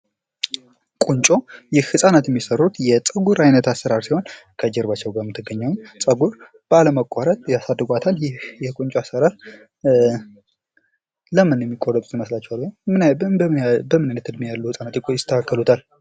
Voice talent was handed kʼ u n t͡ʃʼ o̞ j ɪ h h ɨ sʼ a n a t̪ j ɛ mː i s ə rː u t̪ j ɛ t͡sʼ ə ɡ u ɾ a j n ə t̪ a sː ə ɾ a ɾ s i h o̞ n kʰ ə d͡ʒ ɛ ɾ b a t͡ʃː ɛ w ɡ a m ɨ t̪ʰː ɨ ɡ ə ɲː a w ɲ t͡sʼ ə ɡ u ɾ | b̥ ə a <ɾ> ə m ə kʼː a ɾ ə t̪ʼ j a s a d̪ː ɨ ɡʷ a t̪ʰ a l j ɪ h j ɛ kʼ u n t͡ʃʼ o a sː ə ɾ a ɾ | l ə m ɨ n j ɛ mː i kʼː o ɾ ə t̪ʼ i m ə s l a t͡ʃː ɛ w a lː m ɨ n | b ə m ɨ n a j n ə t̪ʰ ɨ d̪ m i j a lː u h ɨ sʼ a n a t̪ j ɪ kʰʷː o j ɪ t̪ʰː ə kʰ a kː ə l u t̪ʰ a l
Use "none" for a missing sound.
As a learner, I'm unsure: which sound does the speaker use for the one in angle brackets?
l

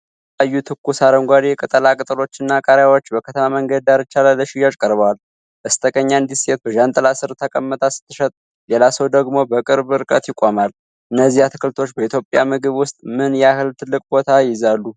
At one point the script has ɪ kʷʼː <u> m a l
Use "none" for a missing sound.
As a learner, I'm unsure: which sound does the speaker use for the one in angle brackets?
o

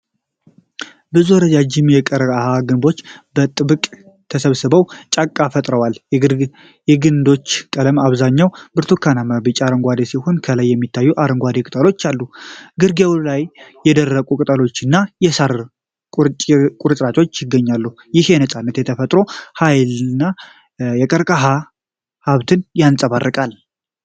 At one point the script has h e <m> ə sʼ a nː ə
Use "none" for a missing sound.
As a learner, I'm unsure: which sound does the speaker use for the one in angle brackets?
n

